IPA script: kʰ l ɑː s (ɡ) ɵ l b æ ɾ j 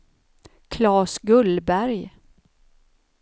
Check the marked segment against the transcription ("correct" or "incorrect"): correct